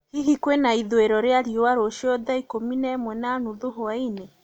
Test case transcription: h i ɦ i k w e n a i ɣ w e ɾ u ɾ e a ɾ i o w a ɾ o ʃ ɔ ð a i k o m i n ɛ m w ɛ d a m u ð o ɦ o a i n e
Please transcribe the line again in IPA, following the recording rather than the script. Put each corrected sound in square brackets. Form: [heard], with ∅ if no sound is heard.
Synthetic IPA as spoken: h i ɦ i k w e n a i [ð] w e ɾ [ɔ] ɾ e a ɾ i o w a ɾ o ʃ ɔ ð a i k o m i n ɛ m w ɛ [n] a [n] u ð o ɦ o a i n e